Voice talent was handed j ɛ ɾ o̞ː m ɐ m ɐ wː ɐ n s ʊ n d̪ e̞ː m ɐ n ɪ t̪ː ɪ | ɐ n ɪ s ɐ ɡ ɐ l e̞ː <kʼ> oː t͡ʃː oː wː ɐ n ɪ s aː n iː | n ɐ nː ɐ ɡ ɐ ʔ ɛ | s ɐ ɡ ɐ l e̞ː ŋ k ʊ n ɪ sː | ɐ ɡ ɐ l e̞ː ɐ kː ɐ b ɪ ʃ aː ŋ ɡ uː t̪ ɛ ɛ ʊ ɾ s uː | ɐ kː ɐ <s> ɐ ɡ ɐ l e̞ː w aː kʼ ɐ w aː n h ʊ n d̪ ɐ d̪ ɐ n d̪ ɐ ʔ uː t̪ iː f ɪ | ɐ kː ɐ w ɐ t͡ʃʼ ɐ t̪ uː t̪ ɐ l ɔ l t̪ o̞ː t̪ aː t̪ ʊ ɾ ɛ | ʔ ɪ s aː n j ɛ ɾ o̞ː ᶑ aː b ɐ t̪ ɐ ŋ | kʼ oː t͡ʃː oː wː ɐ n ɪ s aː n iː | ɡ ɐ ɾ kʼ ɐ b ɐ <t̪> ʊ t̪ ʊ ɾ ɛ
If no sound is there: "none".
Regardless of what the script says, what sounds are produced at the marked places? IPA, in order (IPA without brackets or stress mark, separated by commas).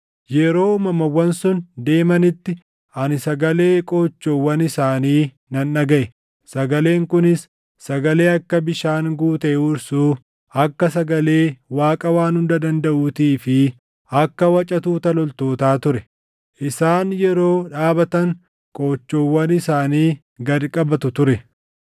kʼ, s, t̪